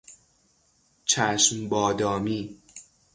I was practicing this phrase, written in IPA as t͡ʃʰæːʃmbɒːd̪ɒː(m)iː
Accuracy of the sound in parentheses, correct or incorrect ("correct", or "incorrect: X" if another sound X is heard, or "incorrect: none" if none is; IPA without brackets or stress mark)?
correct